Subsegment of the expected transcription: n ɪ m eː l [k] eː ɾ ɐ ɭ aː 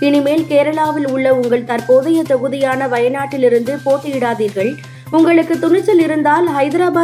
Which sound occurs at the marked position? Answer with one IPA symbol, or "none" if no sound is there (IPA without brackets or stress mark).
k